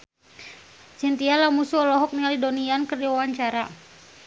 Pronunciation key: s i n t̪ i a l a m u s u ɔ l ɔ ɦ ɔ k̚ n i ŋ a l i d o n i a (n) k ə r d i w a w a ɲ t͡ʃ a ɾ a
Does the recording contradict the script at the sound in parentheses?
no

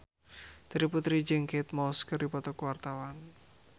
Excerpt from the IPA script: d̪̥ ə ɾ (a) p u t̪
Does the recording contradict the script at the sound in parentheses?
yes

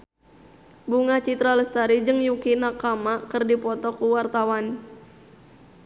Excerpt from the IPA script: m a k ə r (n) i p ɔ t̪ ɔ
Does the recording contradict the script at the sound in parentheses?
yes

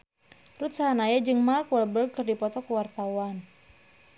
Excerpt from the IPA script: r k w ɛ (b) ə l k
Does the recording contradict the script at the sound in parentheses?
no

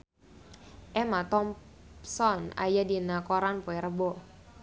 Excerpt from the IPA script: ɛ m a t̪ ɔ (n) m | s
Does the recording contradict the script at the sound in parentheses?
yes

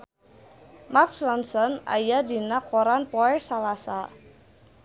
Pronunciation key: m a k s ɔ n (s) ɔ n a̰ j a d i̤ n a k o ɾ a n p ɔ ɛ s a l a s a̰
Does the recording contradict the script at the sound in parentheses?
no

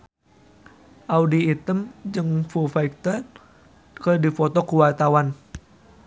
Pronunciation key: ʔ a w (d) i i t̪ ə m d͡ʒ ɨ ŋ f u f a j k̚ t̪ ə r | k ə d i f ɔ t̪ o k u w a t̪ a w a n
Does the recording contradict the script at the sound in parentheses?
no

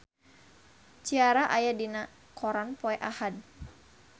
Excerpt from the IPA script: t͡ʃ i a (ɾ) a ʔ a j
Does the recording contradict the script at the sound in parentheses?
no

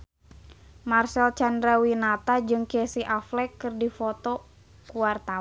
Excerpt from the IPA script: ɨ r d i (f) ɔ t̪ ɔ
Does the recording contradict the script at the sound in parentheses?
no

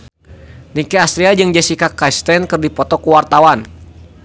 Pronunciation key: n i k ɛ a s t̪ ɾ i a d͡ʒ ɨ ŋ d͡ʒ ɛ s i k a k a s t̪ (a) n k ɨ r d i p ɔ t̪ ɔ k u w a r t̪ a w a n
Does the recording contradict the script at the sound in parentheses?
yes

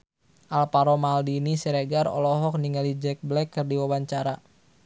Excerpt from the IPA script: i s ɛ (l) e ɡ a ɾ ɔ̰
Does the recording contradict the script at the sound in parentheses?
yes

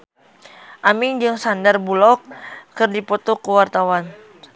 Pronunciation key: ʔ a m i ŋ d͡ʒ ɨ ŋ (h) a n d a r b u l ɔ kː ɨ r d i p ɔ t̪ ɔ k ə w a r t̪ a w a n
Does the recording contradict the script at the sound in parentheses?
yes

